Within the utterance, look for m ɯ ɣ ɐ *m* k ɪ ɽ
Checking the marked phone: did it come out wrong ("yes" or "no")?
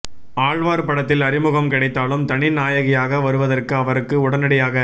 no